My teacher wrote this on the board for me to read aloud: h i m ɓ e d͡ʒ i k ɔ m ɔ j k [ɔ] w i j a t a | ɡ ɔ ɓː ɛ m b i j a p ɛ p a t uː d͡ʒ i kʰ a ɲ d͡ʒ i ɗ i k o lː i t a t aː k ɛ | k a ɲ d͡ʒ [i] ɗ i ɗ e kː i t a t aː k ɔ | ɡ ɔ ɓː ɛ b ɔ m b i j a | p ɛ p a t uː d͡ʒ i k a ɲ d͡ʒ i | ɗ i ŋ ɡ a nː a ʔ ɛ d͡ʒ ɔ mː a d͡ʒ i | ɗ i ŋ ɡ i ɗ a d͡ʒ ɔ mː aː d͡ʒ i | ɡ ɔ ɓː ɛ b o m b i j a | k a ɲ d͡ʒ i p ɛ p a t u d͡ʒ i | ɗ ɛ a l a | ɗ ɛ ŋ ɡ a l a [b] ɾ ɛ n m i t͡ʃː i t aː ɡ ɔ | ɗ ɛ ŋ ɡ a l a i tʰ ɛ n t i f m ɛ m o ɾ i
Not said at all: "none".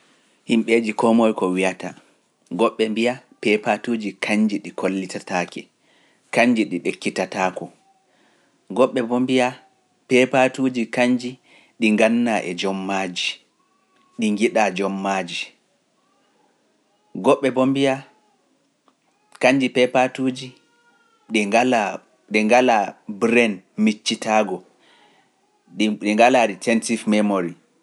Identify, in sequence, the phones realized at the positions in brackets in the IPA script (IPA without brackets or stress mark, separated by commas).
ɔ, i, b